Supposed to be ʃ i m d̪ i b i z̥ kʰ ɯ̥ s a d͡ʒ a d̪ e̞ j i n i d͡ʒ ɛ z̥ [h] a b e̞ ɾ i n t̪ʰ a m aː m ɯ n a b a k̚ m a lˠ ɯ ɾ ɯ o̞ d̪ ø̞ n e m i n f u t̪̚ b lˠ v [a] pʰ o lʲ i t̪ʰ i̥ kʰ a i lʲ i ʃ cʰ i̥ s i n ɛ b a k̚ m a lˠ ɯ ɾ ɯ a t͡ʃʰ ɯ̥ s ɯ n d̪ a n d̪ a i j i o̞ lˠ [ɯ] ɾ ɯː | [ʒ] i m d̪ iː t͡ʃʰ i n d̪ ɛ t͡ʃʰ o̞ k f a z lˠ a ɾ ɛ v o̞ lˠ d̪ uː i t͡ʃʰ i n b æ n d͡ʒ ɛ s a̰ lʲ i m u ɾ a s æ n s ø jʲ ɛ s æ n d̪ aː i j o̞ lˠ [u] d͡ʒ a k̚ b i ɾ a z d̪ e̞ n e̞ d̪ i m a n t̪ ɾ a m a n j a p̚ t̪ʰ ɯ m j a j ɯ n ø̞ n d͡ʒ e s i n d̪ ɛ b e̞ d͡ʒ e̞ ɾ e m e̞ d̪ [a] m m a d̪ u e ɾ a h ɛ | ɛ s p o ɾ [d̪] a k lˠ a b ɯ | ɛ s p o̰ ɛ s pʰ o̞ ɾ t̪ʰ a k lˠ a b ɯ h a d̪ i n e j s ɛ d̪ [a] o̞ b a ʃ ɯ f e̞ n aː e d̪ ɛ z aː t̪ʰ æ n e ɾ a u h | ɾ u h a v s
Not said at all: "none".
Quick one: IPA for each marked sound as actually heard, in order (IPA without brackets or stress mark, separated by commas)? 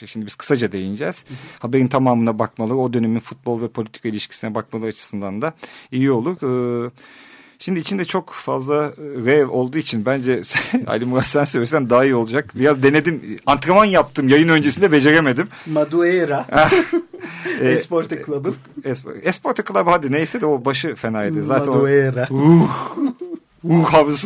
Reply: h, ɛ, u, ʃ, u, i, t̪, ɛ